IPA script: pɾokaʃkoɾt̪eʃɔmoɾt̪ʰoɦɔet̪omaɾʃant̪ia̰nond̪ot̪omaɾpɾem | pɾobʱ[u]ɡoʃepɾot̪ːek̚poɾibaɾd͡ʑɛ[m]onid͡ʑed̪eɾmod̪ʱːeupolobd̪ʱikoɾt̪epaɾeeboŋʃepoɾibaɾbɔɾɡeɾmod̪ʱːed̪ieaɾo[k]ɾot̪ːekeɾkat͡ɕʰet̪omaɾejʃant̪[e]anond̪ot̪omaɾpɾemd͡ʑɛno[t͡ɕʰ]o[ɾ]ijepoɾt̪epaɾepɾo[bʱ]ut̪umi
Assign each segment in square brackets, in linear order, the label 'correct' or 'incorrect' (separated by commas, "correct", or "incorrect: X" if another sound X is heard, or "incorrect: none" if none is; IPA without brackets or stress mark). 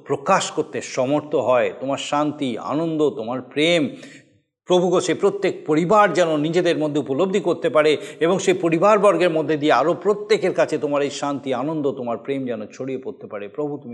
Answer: correct, incorrect: n, incorrect: p, incorrect: i, correct, incorrect: ɽ, correct